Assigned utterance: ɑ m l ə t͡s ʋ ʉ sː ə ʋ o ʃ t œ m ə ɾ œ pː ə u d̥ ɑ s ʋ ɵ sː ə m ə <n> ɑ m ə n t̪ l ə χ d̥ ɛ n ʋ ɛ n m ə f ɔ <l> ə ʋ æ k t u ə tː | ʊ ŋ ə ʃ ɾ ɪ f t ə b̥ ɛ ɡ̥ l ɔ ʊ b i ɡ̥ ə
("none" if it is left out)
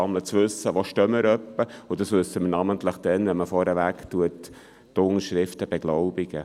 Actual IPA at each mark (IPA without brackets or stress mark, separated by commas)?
n, ɾ